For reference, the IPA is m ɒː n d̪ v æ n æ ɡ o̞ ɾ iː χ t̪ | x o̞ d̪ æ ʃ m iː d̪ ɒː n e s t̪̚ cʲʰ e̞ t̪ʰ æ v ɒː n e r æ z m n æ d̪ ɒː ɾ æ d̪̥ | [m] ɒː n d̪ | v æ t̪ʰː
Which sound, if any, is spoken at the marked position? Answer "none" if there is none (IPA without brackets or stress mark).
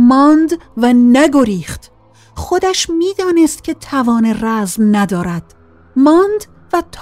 m